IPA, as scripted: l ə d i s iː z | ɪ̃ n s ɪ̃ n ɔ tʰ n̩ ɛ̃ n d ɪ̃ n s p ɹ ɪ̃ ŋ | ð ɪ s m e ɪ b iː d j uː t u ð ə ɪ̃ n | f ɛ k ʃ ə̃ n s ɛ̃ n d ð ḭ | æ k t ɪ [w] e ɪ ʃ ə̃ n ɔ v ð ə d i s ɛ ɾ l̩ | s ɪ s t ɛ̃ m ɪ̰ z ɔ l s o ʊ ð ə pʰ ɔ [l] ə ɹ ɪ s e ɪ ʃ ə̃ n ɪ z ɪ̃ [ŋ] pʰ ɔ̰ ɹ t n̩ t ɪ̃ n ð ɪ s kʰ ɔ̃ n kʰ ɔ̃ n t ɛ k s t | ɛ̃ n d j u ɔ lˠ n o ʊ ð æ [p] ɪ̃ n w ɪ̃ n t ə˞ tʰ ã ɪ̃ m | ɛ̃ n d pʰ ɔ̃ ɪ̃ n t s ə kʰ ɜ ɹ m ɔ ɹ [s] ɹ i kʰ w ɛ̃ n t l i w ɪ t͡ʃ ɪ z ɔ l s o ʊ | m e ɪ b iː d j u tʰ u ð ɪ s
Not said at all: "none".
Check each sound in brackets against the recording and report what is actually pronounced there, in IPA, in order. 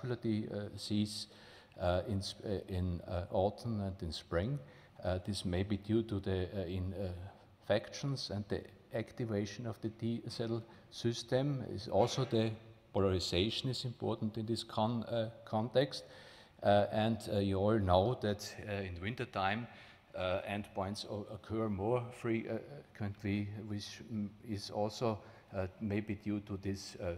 v, l, m, t, f

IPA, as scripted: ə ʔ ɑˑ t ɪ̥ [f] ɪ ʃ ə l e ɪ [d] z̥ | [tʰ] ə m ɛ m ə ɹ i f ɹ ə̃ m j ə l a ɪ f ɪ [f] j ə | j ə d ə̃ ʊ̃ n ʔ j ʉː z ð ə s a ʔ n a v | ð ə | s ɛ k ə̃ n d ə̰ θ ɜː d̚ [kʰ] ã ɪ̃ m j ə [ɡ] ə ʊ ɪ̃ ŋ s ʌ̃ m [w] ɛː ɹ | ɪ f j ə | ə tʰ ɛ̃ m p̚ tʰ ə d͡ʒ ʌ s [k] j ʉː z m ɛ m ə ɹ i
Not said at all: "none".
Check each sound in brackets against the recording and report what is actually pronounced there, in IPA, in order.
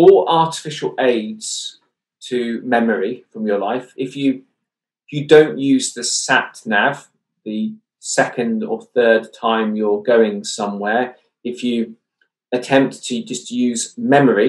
f, d, tʰ, f, tʰ, ɡ, w, t

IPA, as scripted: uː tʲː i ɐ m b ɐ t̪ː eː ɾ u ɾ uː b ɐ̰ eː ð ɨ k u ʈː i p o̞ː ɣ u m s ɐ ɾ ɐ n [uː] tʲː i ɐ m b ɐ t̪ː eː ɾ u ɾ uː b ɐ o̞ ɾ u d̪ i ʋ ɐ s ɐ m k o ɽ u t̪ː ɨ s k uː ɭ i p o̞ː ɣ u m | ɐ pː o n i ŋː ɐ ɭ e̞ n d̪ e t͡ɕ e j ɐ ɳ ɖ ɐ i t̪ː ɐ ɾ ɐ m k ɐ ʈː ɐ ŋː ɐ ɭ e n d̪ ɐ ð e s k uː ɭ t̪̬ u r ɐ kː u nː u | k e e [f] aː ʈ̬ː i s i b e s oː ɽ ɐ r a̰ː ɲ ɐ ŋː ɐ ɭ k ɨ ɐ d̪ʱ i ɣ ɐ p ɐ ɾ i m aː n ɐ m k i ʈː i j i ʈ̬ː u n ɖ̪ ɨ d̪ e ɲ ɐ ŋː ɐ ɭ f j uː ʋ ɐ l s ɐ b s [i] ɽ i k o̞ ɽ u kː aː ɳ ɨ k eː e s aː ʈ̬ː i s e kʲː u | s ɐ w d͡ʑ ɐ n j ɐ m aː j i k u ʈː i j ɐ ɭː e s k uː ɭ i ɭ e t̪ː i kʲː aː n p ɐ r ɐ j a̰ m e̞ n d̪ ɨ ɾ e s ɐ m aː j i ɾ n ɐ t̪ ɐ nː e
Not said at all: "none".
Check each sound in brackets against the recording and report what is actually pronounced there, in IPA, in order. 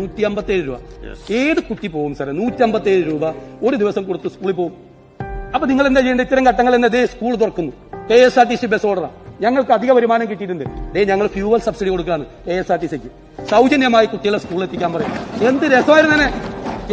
uː, s, i

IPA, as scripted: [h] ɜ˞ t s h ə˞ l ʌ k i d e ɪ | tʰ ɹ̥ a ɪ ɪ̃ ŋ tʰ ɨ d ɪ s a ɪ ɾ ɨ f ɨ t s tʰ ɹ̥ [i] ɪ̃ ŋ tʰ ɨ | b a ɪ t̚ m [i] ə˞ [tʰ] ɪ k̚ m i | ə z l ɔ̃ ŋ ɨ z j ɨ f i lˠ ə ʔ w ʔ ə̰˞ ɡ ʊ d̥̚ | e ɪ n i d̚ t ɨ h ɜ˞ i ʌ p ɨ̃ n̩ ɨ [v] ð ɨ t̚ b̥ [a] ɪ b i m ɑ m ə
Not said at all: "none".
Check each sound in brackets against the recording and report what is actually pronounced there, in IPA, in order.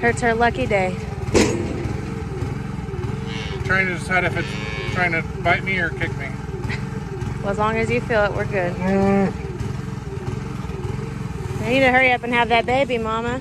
h, a, i, kʰ, v, e

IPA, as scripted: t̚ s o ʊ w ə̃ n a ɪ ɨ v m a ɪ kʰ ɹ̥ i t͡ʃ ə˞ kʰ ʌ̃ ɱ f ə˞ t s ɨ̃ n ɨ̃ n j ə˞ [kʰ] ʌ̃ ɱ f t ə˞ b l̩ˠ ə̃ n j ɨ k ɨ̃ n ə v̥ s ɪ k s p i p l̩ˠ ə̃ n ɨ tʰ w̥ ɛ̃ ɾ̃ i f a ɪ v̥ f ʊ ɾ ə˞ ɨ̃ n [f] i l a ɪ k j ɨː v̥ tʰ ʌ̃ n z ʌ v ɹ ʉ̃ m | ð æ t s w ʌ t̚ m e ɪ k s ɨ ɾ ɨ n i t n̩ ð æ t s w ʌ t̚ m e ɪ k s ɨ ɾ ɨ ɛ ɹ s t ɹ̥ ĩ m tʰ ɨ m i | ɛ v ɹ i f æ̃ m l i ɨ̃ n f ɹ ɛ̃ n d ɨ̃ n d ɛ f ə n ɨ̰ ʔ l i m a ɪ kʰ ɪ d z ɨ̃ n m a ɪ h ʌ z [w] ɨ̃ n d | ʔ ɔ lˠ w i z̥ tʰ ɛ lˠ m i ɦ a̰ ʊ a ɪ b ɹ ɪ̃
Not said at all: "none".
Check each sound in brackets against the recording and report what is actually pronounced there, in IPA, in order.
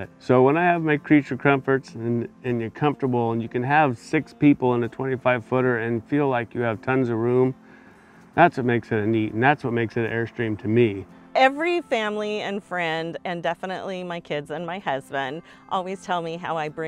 kʰ, f, b

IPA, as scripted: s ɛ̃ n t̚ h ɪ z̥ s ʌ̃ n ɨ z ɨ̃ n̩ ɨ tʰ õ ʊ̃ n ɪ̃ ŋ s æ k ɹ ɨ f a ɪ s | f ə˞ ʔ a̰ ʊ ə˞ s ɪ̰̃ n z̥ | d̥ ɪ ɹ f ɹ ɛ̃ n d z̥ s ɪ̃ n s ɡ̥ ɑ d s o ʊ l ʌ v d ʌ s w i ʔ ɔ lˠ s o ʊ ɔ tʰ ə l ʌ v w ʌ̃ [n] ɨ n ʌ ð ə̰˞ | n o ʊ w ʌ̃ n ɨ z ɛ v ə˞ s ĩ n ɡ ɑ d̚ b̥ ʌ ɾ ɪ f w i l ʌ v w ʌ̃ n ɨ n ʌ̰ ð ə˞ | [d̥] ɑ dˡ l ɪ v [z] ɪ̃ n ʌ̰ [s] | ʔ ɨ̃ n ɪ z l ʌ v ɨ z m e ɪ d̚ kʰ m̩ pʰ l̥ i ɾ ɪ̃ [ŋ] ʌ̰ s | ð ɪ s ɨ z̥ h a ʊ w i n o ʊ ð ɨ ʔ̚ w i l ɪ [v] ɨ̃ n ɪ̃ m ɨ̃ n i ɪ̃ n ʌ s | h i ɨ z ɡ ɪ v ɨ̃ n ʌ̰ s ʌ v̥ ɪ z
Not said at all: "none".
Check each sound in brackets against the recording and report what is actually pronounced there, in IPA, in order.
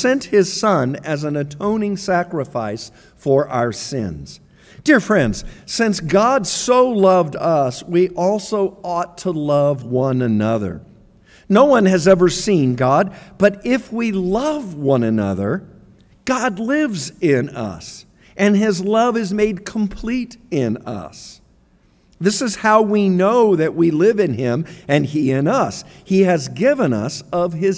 n, ɡ̥, z, s, n, v

